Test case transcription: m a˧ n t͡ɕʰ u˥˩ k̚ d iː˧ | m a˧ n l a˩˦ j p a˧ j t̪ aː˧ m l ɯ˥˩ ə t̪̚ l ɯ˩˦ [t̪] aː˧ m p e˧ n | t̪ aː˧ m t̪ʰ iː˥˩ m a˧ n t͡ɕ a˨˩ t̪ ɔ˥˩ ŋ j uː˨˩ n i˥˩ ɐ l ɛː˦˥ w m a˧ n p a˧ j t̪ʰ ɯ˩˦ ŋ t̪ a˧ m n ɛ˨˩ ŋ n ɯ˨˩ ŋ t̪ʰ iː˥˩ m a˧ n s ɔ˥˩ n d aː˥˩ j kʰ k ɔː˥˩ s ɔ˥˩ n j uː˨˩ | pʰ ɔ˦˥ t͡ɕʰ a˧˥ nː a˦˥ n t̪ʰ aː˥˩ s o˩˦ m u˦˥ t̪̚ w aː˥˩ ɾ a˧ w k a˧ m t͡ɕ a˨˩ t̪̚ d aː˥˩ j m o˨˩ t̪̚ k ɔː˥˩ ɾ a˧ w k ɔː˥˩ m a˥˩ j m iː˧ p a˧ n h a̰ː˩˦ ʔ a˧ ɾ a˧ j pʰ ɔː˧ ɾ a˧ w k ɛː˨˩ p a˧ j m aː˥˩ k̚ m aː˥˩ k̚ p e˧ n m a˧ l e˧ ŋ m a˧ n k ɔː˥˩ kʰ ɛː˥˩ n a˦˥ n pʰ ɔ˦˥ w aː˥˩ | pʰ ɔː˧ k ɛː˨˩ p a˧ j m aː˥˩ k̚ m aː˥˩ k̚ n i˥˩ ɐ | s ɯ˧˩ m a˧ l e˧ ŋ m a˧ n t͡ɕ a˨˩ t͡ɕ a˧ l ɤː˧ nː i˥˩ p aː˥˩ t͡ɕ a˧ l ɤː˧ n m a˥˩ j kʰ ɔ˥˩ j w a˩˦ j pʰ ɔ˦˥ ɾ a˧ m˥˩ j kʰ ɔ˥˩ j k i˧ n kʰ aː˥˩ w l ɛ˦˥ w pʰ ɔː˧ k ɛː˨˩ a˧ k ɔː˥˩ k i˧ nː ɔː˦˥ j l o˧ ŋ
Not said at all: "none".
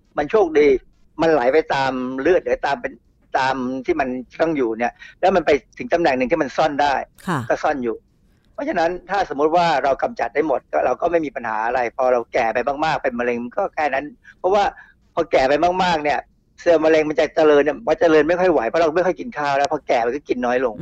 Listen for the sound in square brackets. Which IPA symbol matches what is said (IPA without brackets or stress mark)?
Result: t̪